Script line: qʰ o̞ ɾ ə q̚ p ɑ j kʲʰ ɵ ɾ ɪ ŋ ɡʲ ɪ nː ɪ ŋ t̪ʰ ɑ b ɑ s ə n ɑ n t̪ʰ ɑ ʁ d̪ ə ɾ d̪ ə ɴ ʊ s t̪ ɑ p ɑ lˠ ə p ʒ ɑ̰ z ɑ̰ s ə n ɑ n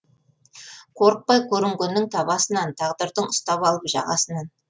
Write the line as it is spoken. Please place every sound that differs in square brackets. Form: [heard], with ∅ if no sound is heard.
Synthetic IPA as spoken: qʰ o̞ ɾ ə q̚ p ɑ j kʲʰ ɵ ɾ ɪ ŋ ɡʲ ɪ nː ɪ ŋ t̪ʰ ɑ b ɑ s ə n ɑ n t̪ʰ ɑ ʁ d̪ ə ɾ d̪ ə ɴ ʊ s t̪ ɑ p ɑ lˠ ə p ʒ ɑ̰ [ʁ] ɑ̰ s ə n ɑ n